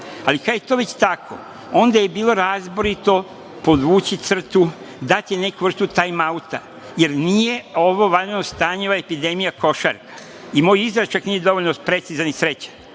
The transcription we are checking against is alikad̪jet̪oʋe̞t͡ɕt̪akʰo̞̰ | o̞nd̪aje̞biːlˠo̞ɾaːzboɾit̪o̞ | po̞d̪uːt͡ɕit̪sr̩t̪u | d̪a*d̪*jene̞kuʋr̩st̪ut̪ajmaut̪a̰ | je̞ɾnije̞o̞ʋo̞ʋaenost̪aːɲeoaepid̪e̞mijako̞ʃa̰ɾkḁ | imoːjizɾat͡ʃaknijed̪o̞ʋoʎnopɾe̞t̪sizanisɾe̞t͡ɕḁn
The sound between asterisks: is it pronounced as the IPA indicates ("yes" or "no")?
no